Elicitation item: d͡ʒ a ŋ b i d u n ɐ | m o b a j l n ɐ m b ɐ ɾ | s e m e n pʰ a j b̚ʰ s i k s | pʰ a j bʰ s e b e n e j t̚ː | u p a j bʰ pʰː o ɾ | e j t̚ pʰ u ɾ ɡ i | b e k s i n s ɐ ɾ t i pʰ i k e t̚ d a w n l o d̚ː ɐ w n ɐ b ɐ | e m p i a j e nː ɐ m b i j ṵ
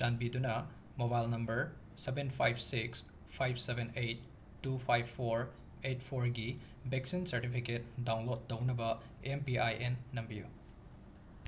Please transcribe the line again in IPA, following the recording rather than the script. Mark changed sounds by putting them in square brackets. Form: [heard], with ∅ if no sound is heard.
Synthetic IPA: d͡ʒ a [n] b i d u n ɐ | m o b a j l n ɐ m b ɐ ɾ | s e [b] e n pʰ a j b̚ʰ s i k s | pʰ a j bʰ s e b e n e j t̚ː | u [pʰ] a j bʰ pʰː o ɾ | e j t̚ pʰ [o] ɾ ɡ i | b e k s i n s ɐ ɾ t i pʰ i k e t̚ d a w n l o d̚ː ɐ w n ɐ b ɐ | e m p i a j e nː ɐ m b i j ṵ